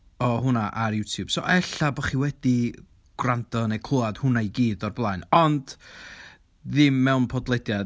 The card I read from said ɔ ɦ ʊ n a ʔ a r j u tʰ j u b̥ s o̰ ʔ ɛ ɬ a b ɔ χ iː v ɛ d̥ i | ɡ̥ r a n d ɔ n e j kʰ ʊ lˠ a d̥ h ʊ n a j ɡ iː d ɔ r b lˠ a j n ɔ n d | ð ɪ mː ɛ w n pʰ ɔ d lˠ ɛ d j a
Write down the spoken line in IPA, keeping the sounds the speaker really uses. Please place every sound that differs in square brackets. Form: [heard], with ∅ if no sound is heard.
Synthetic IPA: ɔ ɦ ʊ n a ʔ a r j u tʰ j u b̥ s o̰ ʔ ɛ ɬ a b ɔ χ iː [w] ɛ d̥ i | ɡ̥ r a n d ɔ n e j kʰ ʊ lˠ a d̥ h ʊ n a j ɡ iː d ɔ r b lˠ a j n ɔ n d | ð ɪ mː ɛ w n pʰ ɔ d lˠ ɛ d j a